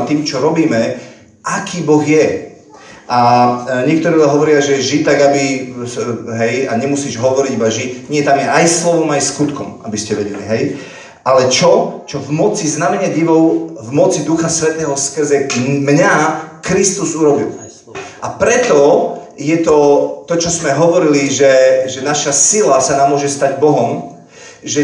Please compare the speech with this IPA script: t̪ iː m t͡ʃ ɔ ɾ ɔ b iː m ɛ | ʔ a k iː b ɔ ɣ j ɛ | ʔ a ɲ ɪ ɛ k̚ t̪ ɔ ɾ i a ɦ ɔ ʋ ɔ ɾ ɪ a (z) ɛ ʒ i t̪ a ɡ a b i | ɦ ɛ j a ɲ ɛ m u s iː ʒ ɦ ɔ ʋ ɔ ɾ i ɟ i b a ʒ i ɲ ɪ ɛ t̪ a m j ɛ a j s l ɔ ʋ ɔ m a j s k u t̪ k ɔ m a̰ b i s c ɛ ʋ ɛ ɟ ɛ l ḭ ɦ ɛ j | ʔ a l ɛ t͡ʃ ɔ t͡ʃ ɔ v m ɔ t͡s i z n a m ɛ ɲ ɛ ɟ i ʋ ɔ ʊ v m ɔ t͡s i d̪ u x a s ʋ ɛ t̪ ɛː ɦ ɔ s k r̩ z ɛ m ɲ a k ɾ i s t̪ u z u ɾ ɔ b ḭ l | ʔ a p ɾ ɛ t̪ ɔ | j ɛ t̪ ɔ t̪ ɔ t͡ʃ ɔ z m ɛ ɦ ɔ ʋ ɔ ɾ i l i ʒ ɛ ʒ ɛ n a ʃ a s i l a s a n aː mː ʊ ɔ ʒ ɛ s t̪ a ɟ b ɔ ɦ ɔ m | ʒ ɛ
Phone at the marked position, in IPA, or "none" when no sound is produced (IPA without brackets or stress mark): ʒ